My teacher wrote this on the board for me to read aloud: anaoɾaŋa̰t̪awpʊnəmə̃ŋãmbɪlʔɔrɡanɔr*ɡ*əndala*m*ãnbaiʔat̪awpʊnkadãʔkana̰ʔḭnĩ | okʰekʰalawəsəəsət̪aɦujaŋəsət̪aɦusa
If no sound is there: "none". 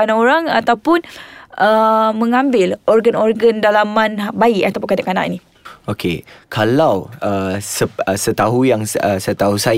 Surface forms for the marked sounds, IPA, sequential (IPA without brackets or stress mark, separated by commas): ɡ, m